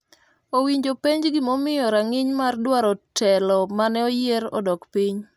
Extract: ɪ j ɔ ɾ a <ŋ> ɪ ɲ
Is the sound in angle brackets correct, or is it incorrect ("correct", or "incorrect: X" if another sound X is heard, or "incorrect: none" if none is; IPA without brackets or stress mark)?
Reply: correct